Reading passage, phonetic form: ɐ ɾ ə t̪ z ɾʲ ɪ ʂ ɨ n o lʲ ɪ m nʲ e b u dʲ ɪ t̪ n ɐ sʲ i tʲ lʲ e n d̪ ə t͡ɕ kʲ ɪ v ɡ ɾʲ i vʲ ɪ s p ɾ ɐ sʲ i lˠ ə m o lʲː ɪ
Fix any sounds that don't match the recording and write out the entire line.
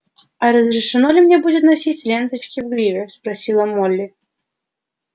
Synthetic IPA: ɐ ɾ ə z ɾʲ ɪ ʂ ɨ n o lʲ ɪ m nʲ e b u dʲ ɪ t̪ n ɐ sʲ i tʲ lʲ e n t̪ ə t͡ɕ kʲ ɪ v ɡ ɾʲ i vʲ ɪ s p ɾ ɐ sʲ i lˠ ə m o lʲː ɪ